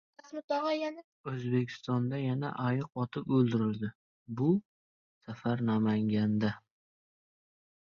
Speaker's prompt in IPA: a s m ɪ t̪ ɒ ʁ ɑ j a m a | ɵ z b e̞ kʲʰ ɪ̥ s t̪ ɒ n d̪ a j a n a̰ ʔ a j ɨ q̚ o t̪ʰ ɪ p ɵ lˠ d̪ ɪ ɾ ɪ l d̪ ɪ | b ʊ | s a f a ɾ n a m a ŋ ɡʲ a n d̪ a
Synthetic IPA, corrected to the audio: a s m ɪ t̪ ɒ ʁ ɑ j a n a | ɵ z b e̞ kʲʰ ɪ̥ s t̪ ɒ n d̪ a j a n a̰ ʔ a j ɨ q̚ ɒ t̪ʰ ɪ p ɵ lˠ d̪ ɪ ɾ ɪ l d̪ ɪ | b ʊ | s a f a ɾ n a m a ŋ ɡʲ a n d̪ a